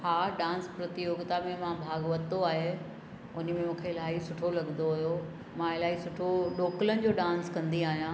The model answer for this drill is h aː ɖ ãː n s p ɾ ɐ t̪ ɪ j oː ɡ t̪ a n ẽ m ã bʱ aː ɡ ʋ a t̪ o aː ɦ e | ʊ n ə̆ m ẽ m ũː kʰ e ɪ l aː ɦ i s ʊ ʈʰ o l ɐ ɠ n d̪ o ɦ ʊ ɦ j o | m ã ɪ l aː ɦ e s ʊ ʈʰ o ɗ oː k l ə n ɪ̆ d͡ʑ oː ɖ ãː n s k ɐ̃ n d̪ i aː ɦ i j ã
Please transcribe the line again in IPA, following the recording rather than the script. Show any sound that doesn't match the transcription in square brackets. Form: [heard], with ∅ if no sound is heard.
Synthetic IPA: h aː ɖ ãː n s p ɾ ɐ t̪ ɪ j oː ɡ t̪ a [m] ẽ m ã bʱ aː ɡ ʋ [ɐ] t̪ o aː ɦ e | ʊ n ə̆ m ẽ m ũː kʰ e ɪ l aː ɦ i s ʊ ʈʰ o l ɐ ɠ n d̪ o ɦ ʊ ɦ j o | m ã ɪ l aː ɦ [i] s ʊ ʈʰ o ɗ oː k l ə n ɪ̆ d͡ʑ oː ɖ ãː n s k ɐ̃ n d̪ i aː ɦ i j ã